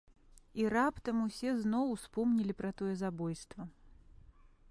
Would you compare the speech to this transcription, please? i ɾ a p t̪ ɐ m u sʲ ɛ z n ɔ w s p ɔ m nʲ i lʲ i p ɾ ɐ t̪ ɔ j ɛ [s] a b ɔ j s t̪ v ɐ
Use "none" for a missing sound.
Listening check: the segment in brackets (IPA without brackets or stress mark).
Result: z